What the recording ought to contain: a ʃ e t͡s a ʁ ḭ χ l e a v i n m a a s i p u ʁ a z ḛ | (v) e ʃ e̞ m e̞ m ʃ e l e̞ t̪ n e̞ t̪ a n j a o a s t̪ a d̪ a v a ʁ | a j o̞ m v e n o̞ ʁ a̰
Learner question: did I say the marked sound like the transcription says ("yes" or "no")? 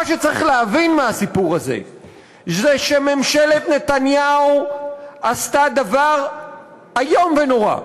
no